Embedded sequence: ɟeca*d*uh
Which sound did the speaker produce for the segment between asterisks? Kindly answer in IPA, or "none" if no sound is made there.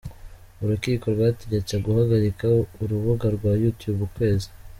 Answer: ɡ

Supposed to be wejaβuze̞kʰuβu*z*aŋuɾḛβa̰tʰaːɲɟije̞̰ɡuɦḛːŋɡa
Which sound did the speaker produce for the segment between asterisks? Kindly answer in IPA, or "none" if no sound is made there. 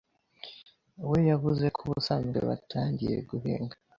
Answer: s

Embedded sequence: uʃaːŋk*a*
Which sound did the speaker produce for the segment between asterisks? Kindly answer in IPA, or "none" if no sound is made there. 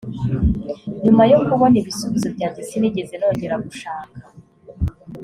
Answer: a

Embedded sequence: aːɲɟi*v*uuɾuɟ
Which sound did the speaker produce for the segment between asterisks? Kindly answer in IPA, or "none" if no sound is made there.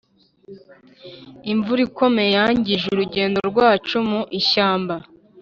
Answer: ʒ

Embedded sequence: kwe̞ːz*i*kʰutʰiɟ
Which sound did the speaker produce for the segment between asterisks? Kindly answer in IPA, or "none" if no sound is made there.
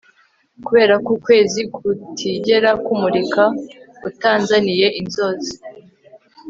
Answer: i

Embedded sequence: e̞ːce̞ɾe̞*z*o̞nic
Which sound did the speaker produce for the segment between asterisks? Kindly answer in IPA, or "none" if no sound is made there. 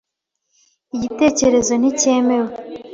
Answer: z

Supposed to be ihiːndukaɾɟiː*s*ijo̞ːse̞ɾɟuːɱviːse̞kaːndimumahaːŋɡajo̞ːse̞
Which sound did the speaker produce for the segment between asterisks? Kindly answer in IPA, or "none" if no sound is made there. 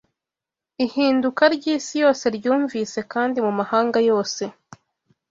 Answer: s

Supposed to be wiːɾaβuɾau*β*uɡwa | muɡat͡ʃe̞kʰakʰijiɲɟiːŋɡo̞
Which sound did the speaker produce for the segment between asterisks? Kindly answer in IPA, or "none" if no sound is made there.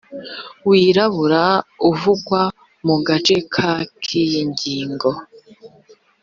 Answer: v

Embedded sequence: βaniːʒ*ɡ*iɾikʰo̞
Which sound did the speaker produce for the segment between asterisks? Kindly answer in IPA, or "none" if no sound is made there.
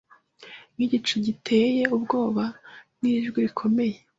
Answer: ɡ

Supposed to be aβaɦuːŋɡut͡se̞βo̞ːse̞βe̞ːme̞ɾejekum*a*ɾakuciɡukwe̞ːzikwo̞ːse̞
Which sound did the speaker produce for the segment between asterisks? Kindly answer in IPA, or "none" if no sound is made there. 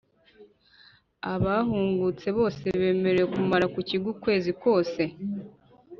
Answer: a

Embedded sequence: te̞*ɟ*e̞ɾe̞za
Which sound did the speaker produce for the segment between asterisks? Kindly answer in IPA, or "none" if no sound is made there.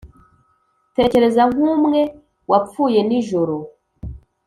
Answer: c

